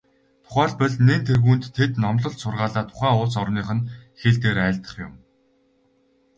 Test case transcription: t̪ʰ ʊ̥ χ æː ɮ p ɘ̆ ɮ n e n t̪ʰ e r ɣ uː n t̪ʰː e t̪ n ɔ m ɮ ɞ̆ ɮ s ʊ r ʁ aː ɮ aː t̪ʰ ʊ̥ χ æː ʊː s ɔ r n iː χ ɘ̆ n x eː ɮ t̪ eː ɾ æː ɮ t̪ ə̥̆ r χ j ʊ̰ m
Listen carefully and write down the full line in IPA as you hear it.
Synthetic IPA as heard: t̪ʰ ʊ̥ χ æː ɮ p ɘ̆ ɮ n e n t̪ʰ e r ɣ uː n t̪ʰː e t̪ n ɔ m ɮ ɞ̆ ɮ s ʊ r ʁ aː ɮ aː t̪ʰ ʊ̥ χ æː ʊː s ɔ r n iː χ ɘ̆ n x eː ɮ t̪ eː ɾ æː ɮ t̪ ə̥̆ χ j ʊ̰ m

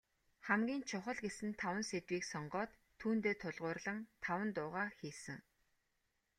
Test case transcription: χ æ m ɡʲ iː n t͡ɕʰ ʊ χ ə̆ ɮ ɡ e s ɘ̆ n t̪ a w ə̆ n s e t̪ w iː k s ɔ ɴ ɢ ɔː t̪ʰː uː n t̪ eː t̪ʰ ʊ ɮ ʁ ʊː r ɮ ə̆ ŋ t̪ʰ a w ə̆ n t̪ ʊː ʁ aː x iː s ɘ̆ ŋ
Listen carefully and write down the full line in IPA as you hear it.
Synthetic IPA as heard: χ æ m ɡʲ iː n t͡ɕʰ ʊ χ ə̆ ɮ ɡ e s ɘ̆ n t̪ʰ a w ə̆ n s e t̪ w iː k s ɔ ɴ ɢ ɔː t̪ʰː uː n t̪ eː t̪ʰ ʊ ɮ ʁ ʊː r ɮ ə̆ ŋ t̪ʰ a w ə̆ n t̪ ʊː ʁ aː x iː s ɘ̆ ŋ

